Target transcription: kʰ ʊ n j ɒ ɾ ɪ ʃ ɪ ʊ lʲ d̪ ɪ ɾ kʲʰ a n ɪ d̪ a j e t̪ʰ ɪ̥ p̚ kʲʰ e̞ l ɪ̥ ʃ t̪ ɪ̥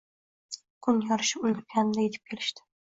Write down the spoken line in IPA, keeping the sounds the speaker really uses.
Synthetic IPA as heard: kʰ ʊ n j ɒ ɾ ɪ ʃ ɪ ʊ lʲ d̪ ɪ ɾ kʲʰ a n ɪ d̪ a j e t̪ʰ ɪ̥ p̚ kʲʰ e̞ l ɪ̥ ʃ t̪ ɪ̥